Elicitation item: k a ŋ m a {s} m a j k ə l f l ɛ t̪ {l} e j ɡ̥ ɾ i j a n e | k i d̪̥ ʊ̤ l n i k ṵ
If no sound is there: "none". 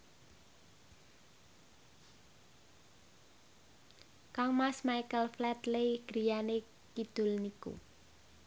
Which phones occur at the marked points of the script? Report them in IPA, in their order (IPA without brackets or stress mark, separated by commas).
s, l